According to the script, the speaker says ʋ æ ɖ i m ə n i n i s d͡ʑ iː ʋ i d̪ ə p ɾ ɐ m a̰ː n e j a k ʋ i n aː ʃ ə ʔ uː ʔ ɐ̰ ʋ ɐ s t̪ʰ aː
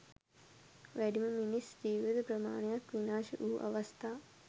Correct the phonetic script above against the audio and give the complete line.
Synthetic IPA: ʋ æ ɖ i m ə m i n i s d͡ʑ iː ʋ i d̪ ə p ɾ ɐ m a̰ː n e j a k ʋ i n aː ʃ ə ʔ uː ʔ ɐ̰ ʋ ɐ s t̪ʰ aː